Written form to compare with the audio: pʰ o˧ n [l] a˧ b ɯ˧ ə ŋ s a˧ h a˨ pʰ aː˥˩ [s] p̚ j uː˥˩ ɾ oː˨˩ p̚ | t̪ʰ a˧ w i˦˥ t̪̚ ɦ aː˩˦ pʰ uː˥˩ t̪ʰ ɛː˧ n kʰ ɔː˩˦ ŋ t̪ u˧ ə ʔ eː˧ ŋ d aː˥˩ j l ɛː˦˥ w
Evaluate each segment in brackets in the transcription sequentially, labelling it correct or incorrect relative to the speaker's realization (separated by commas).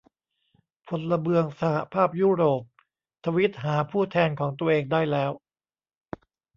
correct, incorrect